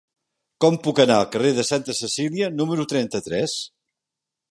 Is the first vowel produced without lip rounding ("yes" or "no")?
no